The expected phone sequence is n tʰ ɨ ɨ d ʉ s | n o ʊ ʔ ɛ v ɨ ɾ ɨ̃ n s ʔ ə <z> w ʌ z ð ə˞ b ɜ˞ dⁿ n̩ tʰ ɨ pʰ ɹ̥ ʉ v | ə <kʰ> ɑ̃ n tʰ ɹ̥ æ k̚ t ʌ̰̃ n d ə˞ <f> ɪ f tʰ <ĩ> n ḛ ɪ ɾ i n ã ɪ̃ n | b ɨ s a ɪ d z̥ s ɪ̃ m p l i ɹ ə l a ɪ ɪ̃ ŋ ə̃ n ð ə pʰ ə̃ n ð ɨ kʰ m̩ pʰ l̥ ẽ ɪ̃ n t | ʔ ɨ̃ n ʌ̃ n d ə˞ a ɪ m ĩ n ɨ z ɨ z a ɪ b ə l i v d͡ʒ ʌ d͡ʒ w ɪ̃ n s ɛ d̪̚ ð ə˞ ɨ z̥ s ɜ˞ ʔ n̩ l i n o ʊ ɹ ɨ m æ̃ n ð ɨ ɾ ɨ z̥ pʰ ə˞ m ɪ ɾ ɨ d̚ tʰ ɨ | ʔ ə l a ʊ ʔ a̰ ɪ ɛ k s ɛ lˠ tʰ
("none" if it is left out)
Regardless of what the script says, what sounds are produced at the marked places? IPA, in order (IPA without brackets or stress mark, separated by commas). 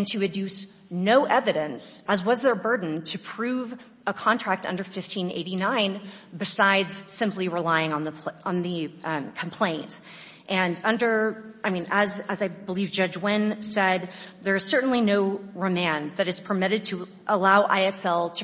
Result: z, kʰ, f, ĩ